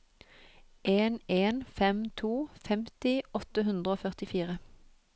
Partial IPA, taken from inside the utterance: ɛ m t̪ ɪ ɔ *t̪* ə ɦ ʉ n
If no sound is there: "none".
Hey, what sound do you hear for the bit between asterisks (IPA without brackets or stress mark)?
t̪